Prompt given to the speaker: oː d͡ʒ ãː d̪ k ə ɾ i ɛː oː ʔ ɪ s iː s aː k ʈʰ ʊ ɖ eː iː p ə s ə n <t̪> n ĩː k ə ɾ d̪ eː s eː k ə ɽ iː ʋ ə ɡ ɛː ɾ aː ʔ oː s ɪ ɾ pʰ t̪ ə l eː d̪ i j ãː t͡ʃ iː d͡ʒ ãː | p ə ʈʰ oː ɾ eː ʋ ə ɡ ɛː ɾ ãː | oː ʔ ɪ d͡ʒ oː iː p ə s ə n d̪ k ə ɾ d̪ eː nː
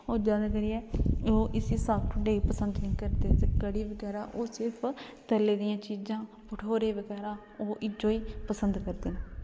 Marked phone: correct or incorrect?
incorrect